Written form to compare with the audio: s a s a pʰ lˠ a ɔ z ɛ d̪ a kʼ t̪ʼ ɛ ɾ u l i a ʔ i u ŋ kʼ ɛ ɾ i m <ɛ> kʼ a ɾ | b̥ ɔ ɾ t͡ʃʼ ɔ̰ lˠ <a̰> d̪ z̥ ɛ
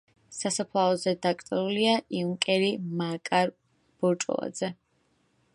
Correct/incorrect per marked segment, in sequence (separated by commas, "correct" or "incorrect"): incorrect, correct